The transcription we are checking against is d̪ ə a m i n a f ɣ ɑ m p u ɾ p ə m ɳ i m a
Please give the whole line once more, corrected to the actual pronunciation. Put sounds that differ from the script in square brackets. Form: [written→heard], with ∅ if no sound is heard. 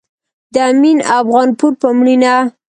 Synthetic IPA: d̪ ə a m i n a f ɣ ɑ [m→n] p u ɾ p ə m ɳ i [m→n] a